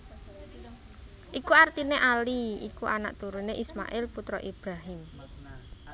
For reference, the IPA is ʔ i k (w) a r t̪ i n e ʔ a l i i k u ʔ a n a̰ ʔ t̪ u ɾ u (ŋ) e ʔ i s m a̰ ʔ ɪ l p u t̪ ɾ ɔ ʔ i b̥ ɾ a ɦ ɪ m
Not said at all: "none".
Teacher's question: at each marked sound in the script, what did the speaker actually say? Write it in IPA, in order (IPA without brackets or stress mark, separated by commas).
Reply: u, n